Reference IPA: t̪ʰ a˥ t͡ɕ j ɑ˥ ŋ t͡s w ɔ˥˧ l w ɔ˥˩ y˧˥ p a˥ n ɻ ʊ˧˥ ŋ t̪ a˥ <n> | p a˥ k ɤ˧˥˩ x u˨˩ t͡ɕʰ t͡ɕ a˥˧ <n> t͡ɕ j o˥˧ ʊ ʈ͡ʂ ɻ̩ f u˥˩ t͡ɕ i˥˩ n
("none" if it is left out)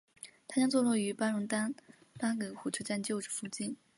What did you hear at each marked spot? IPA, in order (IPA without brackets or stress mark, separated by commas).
n, n